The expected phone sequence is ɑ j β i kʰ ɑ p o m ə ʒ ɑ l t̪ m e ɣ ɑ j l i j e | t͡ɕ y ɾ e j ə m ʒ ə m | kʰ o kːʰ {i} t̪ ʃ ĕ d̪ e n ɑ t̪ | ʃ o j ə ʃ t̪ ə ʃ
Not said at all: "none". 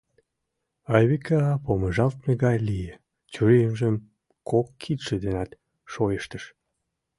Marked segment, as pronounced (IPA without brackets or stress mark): i